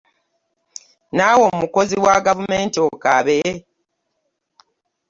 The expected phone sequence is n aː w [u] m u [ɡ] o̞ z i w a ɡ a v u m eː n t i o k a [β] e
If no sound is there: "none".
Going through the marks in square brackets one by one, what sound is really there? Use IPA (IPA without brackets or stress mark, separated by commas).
o, k, β